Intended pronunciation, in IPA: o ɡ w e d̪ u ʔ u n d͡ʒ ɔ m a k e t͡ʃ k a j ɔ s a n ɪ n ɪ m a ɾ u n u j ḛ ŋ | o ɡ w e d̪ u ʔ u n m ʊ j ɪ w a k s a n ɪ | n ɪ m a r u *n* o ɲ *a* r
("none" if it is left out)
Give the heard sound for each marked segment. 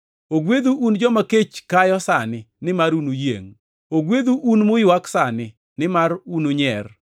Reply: n, ɛ

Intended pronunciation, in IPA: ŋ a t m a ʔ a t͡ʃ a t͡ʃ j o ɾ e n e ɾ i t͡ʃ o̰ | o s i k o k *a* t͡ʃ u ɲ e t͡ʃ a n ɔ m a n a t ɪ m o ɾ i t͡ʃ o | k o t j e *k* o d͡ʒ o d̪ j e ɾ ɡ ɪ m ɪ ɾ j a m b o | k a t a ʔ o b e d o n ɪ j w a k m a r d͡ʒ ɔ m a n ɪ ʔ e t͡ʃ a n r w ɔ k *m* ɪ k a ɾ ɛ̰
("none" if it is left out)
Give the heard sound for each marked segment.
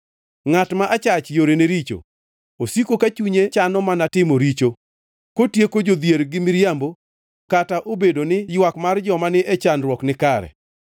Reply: a, k, n

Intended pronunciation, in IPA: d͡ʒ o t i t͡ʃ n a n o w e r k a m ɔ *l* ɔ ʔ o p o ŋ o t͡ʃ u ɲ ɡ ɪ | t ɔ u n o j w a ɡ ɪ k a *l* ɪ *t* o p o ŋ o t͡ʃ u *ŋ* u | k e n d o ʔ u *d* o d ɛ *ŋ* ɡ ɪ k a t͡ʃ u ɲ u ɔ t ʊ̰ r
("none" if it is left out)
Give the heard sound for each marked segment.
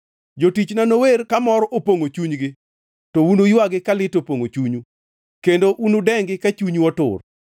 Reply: ɾ, l, t, ɲ, n, ŋ

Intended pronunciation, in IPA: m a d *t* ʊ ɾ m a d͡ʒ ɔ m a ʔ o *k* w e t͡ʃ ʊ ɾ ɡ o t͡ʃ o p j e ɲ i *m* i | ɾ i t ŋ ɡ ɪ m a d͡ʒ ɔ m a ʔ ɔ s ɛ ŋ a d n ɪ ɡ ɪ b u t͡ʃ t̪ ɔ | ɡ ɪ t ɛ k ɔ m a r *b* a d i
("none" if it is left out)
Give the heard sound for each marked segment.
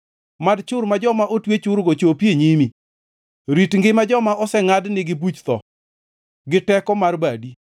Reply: t͡ʃ, t, m, b

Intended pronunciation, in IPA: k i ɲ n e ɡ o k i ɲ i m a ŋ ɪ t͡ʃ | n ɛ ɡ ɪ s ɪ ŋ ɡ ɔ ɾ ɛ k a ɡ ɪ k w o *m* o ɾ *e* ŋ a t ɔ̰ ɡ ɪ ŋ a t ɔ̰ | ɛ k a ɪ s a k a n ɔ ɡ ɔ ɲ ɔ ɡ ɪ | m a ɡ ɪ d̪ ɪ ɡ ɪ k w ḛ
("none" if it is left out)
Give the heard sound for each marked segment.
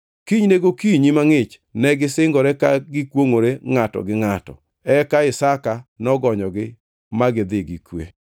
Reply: ŋ, e

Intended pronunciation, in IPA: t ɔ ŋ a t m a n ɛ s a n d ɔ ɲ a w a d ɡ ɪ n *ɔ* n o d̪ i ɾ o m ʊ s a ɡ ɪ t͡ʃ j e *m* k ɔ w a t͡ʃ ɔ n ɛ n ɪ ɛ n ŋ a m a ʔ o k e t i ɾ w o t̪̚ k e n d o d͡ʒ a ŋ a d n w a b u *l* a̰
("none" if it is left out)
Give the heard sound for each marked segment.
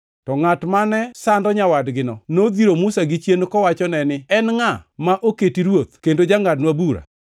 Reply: ɔ, n, ɾ

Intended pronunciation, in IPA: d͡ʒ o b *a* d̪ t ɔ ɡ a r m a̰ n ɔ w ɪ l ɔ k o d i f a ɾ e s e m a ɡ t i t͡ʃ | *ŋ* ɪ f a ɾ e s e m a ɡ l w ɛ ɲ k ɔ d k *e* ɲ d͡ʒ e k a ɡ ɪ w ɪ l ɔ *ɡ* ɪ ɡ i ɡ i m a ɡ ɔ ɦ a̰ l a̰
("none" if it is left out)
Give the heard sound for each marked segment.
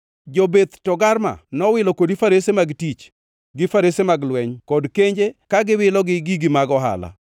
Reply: e, ɡ, e, ɡ

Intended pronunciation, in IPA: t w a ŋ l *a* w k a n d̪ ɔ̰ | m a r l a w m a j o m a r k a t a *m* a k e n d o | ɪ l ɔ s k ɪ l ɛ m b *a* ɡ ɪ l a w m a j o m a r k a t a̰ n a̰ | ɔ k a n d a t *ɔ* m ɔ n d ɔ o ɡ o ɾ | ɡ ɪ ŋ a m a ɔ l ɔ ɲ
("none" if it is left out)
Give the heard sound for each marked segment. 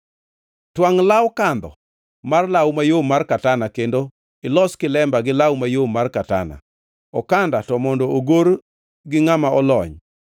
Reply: a, n, a, ɔ

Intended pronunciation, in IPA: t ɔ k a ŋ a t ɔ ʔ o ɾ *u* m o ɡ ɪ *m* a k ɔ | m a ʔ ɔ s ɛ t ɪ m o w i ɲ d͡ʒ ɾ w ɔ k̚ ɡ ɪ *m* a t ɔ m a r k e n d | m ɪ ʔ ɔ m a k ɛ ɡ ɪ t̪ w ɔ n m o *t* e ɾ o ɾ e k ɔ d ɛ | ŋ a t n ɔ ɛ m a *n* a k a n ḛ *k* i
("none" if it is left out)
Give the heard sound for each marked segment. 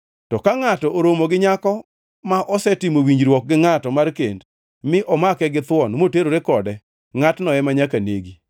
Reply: o, ɲ, ŋ, t, ɲ, ɡ

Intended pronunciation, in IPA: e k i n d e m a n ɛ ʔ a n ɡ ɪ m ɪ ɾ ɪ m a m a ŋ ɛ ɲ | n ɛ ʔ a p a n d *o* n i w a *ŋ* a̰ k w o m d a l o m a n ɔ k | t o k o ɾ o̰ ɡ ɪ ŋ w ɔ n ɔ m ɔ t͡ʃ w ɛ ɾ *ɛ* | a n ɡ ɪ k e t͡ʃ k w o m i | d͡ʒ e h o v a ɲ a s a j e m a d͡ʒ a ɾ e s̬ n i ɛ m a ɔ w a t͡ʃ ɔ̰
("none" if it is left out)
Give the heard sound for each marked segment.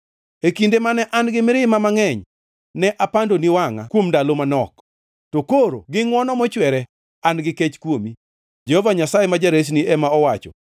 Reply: o, ŋ, ɛ

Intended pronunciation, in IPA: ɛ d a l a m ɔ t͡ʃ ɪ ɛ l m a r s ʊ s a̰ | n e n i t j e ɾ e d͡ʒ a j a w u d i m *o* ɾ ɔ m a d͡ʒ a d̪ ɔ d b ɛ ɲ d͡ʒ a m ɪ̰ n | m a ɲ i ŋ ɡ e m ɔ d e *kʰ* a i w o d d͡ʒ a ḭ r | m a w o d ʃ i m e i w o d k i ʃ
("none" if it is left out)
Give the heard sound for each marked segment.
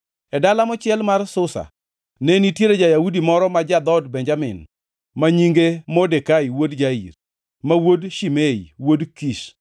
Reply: ɔ, k

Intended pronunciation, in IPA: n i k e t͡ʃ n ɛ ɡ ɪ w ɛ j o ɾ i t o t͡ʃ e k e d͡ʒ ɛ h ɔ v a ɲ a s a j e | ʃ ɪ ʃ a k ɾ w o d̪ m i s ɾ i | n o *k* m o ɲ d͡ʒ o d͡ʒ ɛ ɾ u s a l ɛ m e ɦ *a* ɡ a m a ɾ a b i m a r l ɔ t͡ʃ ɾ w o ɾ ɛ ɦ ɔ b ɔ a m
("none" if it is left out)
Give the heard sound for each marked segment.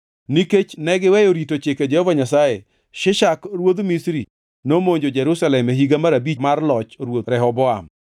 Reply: none, i

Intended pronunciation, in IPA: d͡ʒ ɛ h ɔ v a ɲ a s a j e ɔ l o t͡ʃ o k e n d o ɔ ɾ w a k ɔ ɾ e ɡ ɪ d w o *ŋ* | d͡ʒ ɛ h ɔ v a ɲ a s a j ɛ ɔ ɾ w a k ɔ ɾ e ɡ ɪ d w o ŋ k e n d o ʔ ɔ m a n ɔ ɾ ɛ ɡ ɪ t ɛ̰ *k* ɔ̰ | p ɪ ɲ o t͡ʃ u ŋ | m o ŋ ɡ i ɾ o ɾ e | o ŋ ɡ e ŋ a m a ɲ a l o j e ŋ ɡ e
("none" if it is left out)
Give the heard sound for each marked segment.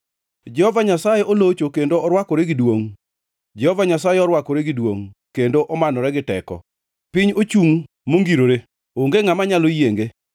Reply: ŋ, k

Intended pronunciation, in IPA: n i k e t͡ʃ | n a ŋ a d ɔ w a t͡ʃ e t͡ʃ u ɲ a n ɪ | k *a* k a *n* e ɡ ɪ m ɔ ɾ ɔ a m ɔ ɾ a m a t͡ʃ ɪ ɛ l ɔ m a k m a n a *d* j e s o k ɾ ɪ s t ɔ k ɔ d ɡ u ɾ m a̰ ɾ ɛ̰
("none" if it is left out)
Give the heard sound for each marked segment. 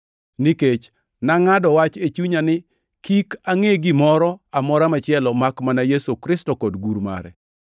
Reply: i, ŋ, none

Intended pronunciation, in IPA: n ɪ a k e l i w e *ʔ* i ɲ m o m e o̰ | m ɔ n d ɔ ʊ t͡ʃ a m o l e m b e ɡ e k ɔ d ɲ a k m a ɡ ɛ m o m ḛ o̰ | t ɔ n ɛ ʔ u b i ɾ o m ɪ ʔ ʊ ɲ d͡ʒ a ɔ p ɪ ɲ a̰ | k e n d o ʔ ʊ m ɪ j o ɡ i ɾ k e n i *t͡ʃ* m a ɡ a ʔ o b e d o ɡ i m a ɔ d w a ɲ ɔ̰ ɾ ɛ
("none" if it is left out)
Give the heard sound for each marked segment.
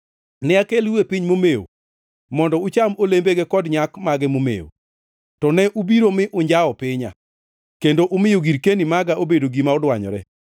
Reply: p, none

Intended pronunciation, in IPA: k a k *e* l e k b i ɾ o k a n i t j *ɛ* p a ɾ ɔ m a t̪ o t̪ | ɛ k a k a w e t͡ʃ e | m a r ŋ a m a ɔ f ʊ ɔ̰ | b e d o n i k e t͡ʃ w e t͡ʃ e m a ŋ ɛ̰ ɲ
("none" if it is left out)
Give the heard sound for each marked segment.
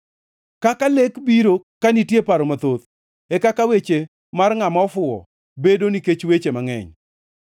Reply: a, e

